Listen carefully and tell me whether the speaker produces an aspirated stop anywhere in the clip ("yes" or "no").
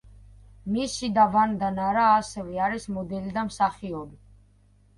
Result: no